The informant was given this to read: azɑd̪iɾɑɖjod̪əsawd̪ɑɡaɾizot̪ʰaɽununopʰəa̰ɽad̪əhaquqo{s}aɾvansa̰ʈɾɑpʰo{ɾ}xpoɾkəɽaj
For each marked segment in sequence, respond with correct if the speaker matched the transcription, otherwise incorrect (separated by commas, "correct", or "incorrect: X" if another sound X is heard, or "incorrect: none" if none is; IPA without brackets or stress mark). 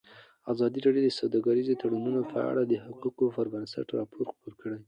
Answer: incorrect: f, correct